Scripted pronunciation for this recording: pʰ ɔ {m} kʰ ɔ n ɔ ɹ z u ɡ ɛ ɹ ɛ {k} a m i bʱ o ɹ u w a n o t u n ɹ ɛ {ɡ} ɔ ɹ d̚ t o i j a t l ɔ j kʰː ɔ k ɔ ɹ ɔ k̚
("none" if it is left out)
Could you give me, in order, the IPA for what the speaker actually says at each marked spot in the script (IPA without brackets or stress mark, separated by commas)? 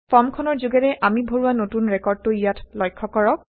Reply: m, ʔ, k